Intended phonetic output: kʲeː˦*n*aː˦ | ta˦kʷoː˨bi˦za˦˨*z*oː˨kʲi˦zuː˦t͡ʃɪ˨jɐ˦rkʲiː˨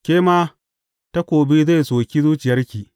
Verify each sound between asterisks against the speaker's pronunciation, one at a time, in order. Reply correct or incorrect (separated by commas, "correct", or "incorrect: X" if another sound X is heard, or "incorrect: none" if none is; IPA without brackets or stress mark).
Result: incorrect: m, incorrect: s